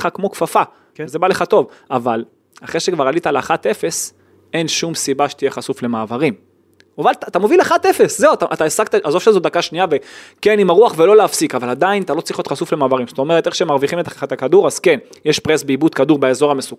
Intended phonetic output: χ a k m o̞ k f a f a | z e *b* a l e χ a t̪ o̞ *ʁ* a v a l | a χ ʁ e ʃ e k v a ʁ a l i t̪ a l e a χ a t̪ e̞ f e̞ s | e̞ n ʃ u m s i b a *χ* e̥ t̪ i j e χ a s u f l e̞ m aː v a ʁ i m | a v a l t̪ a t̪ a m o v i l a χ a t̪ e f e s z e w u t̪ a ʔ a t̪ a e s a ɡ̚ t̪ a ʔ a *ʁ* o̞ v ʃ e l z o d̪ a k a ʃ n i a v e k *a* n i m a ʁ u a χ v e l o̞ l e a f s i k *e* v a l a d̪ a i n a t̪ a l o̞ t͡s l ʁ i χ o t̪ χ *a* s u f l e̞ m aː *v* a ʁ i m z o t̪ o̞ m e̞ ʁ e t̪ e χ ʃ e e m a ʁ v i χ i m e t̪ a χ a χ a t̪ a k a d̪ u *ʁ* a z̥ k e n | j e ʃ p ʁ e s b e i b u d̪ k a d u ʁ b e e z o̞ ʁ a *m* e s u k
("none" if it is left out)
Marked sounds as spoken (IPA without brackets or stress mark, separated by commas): b, v, ʃ, z, e, a, a, v, ʁ, m